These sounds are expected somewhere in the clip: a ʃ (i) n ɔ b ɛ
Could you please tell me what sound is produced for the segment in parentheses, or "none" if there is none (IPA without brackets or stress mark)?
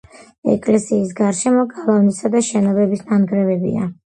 ɛ